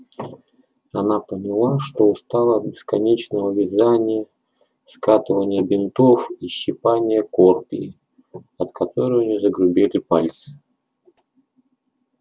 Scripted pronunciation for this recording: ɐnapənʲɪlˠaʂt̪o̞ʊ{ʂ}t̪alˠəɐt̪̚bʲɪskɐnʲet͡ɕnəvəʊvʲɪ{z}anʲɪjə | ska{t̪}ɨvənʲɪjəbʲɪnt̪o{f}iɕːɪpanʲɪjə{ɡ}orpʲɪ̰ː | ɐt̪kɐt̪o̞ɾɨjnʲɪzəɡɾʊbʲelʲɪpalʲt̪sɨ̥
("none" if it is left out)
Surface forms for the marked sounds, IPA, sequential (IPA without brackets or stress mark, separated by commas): s, z, t̪, f, k